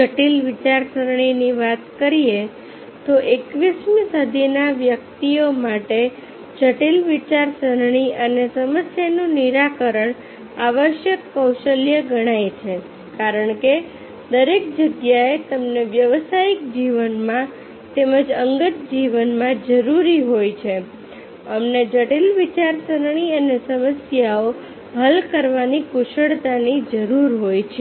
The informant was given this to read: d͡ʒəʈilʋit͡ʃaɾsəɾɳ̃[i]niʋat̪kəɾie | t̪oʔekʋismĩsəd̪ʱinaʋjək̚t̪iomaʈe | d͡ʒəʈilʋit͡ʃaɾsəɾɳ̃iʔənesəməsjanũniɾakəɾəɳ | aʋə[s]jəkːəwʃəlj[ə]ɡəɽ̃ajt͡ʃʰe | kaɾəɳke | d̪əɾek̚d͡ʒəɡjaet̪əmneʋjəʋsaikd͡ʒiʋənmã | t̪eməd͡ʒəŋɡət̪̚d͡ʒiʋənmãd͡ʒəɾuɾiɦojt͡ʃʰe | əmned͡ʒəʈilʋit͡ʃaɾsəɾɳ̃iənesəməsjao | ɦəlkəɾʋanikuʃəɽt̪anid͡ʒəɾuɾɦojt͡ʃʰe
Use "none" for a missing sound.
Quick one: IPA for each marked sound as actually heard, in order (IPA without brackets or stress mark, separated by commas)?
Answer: i, ʃ, ə